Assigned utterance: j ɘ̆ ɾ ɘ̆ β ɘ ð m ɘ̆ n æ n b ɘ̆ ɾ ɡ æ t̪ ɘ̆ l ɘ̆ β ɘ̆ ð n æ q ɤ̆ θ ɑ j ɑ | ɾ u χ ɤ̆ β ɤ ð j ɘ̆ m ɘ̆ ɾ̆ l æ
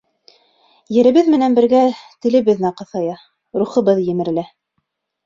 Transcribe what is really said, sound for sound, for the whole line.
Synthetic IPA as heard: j ɘ̆ ɾ ɘ̆ β ɘ ð m ɘ̆ n æ n b ɘ̆ ɾ ɡ æ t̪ ɘ̆ l ɘ̆ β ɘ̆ ð n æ q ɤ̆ θ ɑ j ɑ | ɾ u χ ɤ̆ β ɤ ð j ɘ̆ m ɘ̆ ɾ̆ l æ